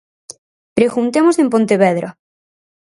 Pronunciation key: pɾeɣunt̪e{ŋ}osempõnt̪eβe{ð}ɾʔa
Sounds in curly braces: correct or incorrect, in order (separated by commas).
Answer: incorrect, correct